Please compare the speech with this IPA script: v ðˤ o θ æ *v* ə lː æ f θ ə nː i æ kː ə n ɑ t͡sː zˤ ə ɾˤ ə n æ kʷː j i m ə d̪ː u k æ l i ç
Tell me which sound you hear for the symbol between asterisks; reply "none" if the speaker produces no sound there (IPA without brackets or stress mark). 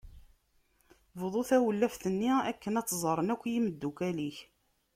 w